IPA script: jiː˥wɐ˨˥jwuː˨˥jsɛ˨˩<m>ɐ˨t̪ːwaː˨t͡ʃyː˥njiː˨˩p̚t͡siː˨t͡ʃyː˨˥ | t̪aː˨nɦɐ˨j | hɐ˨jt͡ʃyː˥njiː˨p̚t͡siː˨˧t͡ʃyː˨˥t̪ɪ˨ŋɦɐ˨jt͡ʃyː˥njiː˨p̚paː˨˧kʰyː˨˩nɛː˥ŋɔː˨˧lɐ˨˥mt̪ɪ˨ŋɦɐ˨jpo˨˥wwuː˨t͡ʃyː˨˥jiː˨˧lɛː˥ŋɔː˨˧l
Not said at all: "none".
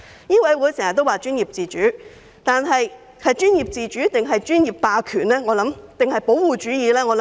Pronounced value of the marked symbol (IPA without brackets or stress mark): ŋ